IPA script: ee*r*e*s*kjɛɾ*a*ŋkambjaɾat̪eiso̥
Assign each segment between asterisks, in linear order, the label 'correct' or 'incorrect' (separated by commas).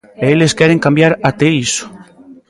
incorrect, correct, incorrect